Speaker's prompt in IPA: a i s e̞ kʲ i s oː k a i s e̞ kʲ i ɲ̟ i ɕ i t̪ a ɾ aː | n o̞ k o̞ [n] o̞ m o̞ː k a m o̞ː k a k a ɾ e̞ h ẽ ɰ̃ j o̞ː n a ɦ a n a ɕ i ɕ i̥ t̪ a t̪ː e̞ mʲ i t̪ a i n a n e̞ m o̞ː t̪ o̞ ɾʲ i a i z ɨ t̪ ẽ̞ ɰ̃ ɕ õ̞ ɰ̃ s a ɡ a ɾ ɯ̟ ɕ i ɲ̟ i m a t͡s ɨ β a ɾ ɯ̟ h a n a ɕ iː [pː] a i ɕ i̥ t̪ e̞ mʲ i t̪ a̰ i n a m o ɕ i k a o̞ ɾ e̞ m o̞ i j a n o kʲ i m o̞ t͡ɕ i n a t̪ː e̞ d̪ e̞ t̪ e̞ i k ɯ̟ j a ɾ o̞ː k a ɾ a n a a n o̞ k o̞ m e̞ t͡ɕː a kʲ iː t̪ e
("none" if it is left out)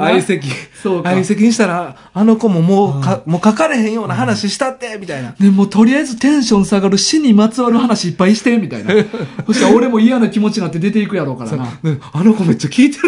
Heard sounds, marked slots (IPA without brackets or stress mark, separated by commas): m, pː